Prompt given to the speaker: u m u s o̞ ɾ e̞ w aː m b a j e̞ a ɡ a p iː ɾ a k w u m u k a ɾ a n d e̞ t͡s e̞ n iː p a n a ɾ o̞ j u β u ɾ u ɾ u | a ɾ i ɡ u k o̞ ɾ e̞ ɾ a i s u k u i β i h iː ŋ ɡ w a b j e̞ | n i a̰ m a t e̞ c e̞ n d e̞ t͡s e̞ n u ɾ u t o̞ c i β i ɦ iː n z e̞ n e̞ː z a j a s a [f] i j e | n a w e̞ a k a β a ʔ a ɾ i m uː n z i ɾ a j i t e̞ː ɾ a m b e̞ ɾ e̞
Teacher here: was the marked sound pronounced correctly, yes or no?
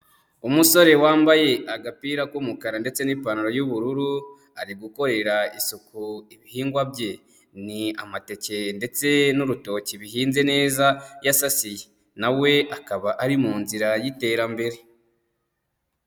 no